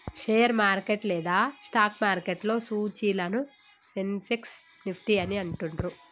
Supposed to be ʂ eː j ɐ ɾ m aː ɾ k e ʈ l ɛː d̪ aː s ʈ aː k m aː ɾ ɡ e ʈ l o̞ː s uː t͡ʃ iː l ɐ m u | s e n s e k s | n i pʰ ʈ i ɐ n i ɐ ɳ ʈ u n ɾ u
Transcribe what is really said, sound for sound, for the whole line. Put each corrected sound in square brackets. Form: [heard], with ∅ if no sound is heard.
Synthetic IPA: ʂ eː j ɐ ɾ m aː ɾ k e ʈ l ɛː d̪ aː s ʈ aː k m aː ɾ [k] e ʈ l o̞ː s uː t͡ʃ iː l ɐ [n] u | s e n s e k s | n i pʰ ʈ i ɐ n i ɐ ɳ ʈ u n ɾ u